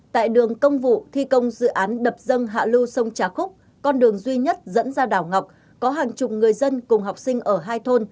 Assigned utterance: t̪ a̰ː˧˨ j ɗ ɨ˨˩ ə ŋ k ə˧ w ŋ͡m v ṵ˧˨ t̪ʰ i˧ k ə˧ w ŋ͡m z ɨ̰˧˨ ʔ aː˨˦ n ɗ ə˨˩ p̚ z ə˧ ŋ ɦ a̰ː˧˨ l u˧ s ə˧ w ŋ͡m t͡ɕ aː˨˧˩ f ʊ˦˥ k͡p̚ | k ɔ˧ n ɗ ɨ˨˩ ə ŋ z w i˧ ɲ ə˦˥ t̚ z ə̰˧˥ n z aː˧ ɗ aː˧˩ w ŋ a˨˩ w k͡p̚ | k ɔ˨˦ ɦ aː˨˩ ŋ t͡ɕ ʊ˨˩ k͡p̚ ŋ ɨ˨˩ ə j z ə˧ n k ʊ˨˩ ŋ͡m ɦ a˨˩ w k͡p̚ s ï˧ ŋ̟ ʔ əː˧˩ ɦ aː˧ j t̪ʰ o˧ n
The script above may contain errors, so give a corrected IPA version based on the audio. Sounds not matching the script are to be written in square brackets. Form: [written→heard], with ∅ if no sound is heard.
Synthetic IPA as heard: t̪ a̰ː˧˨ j ɗ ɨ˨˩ ə ŋ k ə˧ w ŋ͡m v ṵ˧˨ t̪ʰ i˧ k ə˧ w ŋ͡m z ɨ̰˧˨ ʔ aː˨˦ n ɗ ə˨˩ p̚ z ə˧ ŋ ɦ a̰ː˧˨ l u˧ s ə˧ w ŋ͡m t͡ɕ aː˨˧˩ [f→x] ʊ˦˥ k͡p̚ | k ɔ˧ n ɗ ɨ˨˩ ə ŋ z w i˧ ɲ ə˦˥ t̚ z ə̰˧˥ n z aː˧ ɗ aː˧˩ w ŋ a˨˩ w k͡p̚ | k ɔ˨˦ ɦ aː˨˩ ŋ t͡ɕ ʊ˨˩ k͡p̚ ŋ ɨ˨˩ ə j z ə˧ n k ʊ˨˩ ŋ͡m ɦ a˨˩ w k͡p̚ s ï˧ ŋ̟ ʔ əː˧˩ ɦ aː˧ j t̪ʰ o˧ n